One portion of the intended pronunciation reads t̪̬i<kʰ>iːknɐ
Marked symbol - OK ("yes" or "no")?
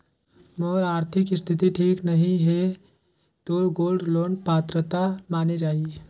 no